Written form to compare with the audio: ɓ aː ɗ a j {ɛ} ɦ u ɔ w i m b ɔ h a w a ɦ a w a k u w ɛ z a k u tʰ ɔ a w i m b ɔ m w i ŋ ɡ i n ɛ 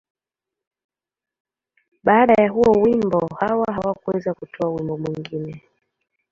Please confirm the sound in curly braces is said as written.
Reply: no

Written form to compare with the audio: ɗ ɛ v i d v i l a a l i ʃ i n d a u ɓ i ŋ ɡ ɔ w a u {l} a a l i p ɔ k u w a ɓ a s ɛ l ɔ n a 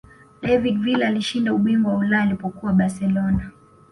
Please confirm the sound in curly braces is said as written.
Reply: yes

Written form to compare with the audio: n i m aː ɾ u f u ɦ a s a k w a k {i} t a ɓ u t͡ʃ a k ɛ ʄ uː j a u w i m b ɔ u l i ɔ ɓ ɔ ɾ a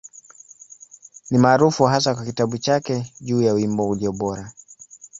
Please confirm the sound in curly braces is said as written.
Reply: yes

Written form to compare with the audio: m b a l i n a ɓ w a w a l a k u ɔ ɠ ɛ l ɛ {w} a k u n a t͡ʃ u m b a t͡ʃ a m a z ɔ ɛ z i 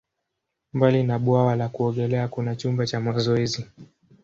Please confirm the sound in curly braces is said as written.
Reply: no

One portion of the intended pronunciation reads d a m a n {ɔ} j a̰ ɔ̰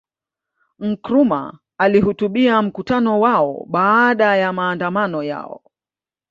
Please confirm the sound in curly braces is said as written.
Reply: yes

